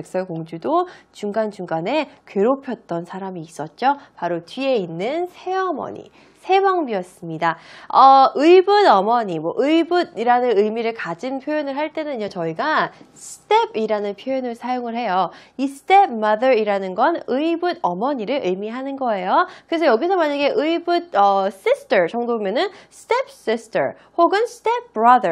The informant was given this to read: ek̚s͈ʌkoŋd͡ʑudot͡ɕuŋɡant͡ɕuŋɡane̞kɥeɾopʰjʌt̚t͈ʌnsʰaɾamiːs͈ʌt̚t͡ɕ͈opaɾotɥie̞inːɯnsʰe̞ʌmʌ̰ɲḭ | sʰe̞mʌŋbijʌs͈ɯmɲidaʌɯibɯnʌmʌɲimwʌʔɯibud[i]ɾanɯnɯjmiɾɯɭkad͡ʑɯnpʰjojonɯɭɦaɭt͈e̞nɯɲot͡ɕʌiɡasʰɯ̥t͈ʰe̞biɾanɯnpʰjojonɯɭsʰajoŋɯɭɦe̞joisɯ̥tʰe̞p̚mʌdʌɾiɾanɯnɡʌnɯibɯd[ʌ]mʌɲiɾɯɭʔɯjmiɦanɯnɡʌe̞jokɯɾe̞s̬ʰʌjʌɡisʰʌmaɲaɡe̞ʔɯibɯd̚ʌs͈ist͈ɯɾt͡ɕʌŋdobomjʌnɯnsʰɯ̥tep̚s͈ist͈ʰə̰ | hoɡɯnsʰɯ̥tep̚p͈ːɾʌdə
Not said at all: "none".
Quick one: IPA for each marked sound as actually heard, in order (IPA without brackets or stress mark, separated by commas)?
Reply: i, ʌ